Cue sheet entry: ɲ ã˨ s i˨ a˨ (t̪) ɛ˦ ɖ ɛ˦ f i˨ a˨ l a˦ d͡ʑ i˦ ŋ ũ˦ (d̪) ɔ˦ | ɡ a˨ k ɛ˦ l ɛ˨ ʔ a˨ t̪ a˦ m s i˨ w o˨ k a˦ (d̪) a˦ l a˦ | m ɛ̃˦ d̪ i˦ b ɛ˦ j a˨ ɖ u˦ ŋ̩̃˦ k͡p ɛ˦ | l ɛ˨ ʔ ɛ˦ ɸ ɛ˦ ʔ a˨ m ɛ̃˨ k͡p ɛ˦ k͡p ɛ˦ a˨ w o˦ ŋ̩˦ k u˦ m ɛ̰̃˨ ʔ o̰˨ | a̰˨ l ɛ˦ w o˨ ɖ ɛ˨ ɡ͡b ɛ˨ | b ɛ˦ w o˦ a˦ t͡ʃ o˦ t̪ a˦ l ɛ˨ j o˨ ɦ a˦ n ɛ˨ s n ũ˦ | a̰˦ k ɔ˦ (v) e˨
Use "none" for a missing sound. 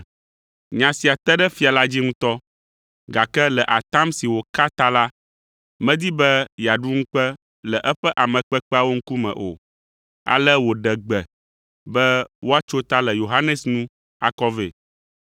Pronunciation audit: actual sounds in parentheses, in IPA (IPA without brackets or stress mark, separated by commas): t̪, t̪, t̪, v